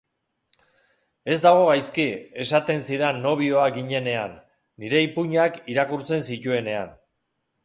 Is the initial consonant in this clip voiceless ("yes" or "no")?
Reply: no